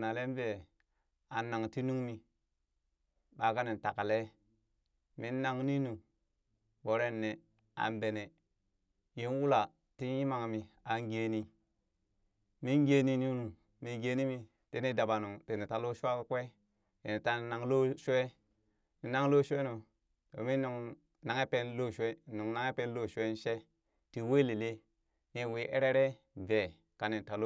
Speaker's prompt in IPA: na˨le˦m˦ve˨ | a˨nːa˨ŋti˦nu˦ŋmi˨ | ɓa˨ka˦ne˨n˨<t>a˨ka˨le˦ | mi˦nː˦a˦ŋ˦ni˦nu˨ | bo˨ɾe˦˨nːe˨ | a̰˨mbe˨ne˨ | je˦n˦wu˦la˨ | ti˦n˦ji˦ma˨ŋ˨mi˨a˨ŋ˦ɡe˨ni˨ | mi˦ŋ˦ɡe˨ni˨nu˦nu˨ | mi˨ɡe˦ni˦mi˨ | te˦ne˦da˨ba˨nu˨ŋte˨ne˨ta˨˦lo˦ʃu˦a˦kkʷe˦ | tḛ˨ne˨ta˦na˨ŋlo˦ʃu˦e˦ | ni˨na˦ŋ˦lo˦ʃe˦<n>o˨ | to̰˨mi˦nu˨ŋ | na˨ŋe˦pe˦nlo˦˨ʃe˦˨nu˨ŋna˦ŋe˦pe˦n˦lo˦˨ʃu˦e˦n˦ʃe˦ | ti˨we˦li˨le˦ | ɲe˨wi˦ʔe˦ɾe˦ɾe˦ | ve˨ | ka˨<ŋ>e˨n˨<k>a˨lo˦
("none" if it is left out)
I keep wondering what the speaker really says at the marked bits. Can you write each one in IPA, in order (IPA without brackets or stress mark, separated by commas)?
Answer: t, n, n, t